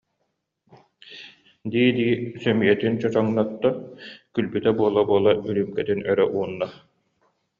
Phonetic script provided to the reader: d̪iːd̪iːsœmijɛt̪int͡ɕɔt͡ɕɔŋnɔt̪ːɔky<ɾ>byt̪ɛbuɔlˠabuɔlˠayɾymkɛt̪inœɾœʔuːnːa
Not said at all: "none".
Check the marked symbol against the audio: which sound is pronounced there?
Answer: l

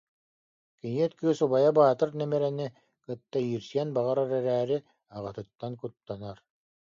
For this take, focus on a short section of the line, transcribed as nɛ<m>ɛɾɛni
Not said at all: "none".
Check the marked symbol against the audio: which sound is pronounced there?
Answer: m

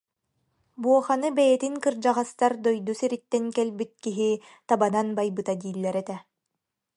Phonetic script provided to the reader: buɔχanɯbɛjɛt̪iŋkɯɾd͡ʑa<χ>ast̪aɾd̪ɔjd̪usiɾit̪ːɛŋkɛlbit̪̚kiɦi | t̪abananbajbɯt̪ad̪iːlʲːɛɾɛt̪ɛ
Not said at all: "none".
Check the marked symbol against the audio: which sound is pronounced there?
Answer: ʁ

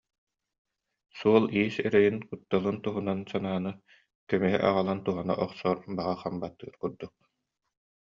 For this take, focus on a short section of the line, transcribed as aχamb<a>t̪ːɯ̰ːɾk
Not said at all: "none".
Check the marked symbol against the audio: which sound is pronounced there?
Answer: a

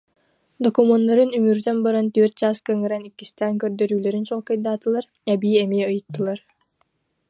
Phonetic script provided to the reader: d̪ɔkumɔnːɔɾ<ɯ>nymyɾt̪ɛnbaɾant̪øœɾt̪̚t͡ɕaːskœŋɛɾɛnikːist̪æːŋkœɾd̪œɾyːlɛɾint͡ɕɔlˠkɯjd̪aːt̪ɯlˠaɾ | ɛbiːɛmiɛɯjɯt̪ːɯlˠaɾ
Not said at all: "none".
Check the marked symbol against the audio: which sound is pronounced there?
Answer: ɯ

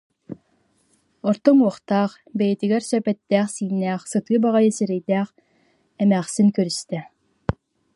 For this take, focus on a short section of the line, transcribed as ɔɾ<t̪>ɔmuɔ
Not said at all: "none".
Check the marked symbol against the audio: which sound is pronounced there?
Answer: t̪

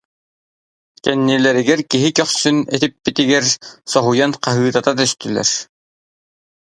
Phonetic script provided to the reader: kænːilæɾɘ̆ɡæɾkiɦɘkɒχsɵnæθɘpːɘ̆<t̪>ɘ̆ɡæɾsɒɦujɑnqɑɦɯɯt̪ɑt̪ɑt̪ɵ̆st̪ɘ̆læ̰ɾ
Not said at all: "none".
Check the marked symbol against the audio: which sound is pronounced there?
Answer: t̪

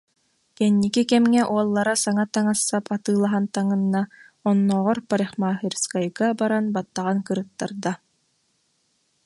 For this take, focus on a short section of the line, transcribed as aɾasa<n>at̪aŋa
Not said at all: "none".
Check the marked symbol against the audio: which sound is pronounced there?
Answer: ŋ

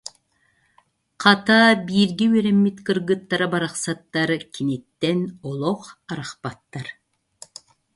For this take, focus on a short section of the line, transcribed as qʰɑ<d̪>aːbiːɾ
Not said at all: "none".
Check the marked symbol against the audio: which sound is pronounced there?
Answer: t̪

